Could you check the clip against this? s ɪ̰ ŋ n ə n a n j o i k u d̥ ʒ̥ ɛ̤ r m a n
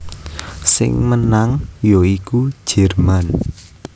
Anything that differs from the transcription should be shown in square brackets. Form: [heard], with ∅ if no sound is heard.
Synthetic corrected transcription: s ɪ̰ ŋ [m] ə n a [ŋ] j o i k u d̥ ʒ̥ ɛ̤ r m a n